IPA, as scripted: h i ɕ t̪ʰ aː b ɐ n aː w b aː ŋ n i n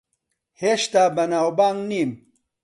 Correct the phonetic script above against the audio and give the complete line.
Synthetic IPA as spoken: h e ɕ t̪ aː b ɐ n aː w b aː ŋ n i m